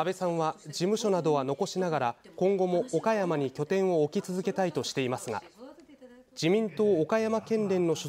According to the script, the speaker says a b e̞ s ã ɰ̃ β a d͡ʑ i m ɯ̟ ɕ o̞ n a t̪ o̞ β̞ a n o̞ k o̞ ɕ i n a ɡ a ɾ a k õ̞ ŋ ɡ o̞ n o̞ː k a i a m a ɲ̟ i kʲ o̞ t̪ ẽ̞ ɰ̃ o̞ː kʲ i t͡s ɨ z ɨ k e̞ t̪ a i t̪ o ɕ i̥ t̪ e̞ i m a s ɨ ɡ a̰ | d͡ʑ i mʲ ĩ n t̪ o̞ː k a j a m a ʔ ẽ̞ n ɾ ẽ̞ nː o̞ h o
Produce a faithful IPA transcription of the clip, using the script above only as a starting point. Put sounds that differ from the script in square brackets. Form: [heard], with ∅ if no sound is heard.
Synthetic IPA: a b e̞ s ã ɰ̃ β a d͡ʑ i m ɯ̟ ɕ o̞ n a [d̪] o̞ β̞ a n o̞ k o̞ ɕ i n a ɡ a ɾ a k õ̞ ŋ ɡ o̞ [m] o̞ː k a [j] a m a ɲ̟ i kʲ o̞ t̪ ẽ̞ ɰ̃ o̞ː kʲ i t͡s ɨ z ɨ k e̞ t̪ a i t̪ o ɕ i̥ t̪ e̞ i m a s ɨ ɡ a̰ | d͡ʑ i mʲ ĩ n t̪ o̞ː k a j a m a [k] ẽ̞ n ɾ ẽ̞ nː o̞ [ɕ] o